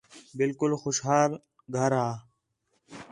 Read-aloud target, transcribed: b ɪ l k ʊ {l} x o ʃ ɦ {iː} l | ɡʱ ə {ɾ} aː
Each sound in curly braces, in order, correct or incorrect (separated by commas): correct, incorrect, correct